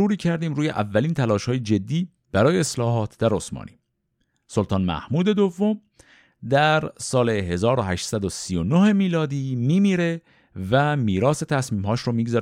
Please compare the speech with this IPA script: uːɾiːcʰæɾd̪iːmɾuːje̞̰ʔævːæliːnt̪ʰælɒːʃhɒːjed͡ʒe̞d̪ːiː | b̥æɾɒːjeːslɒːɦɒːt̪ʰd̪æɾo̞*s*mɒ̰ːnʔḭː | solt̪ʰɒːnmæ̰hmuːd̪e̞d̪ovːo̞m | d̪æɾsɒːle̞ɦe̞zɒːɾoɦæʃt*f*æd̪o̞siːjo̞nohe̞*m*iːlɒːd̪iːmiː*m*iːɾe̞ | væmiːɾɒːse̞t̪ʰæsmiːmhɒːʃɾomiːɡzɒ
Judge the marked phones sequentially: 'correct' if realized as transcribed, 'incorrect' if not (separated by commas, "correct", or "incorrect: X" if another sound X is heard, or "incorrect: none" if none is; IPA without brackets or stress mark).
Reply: correct, incorrect: s, correct, correct